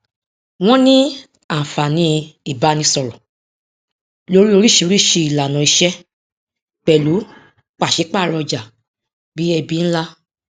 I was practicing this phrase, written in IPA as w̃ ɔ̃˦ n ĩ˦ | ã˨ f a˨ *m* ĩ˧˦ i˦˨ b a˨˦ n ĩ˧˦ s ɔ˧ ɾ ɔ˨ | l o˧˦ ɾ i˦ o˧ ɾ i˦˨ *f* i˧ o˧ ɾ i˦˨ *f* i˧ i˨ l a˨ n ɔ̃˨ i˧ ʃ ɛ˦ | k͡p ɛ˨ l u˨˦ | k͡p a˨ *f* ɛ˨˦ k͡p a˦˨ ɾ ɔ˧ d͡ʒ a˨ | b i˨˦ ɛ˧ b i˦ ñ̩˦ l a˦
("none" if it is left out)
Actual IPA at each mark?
n, ʃ, ʃ, ʃ

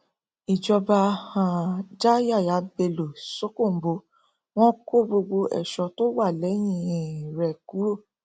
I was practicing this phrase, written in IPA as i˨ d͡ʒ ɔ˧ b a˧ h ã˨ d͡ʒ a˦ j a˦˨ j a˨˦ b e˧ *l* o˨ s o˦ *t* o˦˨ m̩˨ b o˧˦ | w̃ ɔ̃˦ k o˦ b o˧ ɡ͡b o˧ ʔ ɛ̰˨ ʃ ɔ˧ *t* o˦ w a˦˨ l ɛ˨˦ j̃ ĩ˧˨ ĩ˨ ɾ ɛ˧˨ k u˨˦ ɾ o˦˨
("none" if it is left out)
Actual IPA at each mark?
l, k, t

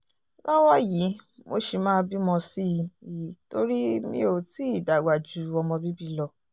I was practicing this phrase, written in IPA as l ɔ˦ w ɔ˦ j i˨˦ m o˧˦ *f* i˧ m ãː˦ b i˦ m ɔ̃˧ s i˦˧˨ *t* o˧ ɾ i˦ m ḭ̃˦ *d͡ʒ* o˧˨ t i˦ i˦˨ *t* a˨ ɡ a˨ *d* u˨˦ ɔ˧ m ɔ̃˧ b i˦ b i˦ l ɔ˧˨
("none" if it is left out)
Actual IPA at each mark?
ʃ, t, none, d, d͡ʒ

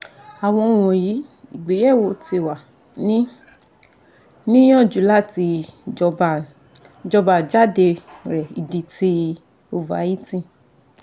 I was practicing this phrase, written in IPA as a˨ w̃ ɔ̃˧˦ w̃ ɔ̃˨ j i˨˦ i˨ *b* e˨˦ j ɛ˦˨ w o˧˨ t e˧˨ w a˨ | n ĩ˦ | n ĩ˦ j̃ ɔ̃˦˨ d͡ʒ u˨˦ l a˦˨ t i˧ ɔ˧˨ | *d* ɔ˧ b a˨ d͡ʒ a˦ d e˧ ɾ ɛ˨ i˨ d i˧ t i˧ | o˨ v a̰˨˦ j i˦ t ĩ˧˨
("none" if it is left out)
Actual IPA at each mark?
ɡ͡b, d͡ʒ

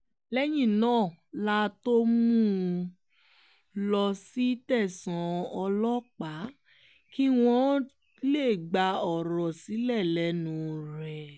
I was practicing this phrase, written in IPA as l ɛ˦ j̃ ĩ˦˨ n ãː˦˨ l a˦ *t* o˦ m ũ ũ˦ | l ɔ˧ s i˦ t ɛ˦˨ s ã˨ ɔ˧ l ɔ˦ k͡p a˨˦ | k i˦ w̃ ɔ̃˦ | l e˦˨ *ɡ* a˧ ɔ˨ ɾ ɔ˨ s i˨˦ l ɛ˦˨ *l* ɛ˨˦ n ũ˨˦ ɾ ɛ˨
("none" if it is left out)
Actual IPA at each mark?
t, ɡ͡b, l

